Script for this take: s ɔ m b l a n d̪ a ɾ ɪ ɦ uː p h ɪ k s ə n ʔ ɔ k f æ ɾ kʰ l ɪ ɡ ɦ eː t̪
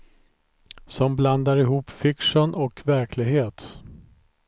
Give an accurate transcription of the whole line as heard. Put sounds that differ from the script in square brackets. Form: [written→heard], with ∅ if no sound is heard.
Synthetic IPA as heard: s ɔ m b l a n d̪ a ɾ ɪ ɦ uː p [h→f] ɪ k [s→ʂ] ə n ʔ ɔ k [f→v] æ ɾ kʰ l ɪ ɡ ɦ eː t̪

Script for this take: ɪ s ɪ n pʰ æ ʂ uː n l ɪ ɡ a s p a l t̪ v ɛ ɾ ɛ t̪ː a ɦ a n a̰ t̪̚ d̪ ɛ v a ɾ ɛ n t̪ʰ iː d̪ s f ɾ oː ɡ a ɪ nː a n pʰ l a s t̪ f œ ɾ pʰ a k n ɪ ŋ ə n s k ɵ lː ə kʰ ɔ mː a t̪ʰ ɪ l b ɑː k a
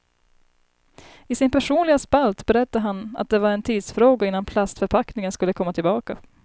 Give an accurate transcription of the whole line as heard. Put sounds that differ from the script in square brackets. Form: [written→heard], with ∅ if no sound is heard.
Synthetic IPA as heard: ɪ s ɪ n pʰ æ ʂ uː n l ɪ ɡ a s p a l t̪ [v→b] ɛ ɾ ɛ t̪ː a ɦ a n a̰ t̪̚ d̪ ɛ v a ɾ ɛ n t̪ʰ iː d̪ s f ɾ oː ɡ a ɪ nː a n pʰ l a s t̪ f œ ɾ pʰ a k n ɪ ŋ ə n s k ɵ lː ə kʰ ɔ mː a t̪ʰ ɪ l b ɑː k a

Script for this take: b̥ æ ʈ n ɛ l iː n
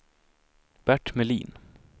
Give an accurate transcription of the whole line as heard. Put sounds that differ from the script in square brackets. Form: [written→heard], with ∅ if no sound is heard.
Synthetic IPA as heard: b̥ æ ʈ [n→m] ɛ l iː n

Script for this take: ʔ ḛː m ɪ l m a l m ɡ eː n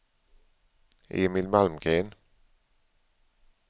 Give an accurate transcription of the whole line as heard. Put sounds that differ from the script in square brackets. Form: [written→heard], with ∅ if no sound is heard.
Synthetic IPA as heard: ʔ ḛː m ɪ l m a l m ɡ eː n

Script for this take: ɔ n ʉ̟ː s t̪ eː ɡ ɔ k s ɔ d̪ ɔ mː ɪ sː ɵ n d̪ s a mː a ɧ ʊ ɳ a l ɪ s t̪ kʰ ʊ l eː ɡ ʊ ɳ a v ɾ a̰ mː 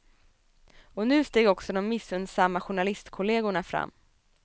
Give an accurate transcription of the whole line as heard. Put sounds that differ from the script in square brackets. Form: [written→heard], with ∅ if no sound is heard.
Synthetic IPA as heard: ɔ n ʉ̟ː s t̪ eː ɡ ɔ k s ɔ d̪ ɔ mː ɪ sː ɵ n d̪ s a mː a ɧ ʊ ɳ a l ɪ s t̪ kʰ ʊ l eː ɡ ʊ ɳ a [v→f] ɾ a̰ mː

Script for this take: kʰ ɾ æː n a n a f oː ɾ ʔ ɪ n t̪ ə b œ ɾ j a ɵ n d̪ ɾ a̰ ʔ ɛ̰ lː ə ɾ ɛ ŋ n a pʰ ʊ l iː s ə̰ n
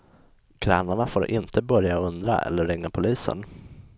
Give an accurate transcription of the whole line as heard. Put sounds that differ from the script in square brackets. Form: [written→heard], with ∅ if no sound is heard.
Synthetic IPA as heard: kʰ ɾ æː n a [n→ɳ] a f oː ɾ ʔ ɪ n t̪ ə b œ ɾ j a ɵ n d̪ ɾ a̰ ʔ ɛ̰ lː ə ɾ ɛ ŋ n a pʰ ʊ l iː s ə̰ n

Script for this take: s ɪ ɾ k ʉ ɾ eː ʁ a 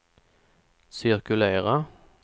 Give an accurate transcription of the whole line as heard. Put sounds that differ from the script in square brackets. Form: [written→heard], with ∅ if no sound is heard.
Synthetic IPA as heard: s ɪ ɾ k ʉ [ɾ→l] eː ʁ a

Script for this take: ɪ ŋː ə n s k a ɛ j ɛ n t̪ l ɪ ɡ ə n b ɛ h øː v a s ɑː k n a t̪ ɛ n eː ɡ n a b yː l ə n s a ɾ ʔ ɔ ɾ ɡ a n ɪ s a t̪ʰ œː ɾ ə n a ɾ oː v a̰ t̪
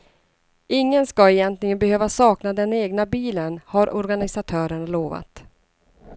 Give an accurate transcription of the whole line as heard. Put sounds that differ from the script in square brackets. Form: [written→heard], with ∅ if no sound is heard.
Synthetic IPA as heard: ɪ ŋː ə n s k a ɛ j ɛ n t̪ l ɪ ɡ ə n b ɛ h øː v a s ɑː k n a [t̪→d̪] ɛ n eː ɡ n a b [yː→iː] l ə n [s→h] a ɾ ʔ ɔ ɾ ɡ a n ɪ s a t̪ʰ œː ɾ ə [n→ɳ] a [ɾ→l] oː v a̰ t̪

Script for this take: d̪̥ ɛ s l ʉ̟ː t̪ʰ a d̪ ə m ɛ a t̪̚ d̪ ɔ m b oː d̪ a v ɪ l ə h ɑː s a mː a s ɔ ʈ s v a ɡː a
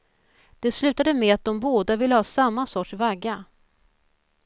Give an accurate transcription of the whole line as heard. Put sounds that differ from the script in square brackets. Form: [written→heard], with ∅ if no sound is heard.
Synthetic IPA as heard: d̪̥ ɛ s l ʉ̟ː [t̪ʰ→t̪] a d̪ ə m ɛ a t̪̚ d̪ ɔ m b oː d̪ a v ɪ [l→lː] ə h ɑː s a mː a s ɔ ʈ [s→ʂ] v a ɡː a

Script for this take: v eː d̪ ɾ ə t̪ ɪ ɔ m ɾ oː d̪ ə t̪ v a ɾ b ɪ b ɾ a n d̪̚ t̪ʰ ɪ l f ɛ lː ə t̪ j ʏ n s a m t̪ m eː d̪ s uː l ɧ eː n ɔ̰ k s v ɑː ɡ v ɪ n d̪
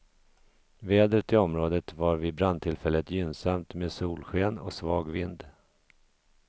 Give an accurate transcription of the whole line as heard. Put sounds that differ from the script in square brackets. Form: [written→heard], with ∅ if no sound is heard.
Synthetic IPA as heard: v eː d̪ ɾ ə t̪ ɪ ɔ m ɾ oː d̪ ə t̪ v a ɾ [b→v] ɪ b ɾ a n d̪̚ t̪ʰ ɪ l f ɛ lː ə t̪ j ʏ n s a m t̪ m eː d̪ s uː l ɧ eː n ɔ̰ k s v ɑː ɡ v ɪ n d̪

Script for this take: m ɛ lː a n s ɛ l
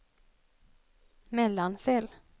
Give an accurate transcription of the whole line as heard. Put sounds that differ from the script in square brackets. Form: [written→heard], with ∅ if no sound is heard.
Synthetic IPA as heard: m ɛ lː a n s ɛ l

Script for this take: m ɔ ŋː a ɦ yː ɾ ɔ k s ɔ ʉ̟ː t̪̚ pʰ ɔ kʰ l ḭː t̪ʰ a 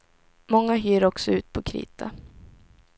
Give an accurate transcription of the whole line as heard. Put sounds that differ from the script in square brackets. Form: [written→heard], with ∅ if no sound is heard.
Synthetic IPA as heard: m ɔ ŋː a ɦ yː ɾ ɔ k s ɔ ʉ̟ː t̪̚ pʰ ɔ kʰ [l→ɾ] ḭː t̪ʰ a

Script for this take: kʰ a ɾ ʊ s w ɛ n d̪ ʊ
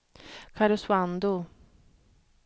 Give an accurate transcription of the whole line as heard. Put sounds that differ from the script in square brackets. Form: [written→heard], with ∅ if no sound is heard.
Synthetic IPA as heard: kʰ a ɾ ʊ s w [ɛ→a] n d̪ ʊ

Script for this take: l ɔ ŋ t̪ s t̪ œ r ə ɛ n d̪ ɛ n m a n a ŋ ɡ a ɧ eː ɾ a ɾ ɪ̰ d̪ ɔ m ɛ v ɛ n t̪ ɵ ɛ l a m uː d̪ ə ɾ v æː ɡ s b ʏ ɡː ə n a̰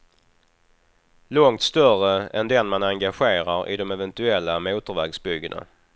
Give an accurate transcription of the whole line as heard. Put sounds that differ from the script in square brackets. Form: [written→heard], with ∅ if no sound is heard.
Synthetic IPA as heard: l ɔ ŋ t̪ s t̪ œ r ə ɛ n d̪ ɛ n m a n a ŋ ɡ a ɧ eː ɾ a ɾ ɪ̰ d̪ ɔ m ɛ v ɛ n t̪ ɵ ɛ [l→lː] a m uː [d̪→t̪] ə ɾ v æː ɡ s b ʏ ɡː ə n a̰

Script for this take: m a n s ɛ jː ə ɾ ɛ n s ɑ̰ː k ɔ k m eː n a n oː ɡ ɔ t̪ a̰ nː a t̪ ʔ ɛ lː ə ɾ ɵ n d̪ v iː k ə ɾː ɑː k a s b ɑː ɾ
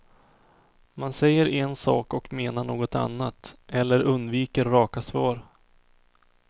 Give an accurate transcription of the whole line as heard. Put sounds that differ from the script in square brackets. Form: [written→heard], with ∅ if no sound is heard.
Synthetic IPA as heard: m a n s ɛ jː ə ɾ ɛ n s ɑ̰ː k ɔ k m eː n a [n→ɳ] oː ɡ ɔ t̪ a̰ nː a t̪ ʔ ɛ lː ə ɾ ɵ n d̪ v iː k ə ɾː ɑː k a s [b→v] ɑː ɾ

